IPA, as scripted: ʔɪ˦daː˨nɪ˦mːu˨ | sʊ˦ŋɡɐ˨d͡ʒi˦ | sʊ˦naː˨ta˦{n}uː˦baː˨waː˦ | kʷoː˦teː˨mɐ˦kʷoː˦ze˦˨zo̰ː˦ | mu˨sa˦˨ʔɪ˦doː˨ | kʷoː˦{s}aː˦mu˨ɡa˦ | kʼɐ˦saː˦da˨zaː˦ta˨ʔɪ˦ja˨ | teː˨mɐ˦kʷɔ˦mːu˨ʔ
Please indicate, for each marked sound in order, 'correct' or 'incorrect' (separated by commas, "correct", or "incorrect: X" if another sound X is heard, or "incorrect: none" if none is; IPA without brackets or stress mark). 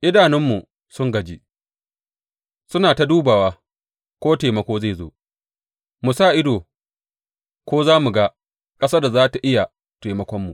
incorrect: d, incorrect: z